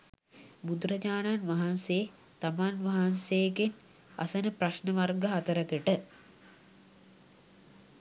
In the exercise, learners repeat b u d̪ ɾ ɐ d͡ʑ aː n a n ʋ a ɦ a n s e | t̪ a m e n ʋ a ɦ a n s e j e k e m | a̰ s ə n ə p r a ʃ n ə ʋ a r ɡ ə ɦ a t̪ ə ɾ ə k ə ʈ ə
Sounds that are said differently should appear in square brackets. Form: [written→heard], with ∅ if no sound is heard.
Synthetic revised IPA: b u d̪ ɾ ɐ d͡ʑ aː n a n ʋ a ɦ a n s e | t̪ a m [e→a] n ʋ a ɦ a n s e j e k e [m→n] | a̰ s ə n ə p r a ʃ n ə ʋ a r ɡ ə ɦ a t̪ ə ɾ ə k ə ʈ ə